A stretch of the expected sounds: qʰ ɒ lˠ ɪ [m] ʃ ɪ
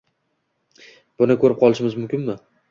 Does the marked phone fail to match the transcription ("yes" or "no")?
yes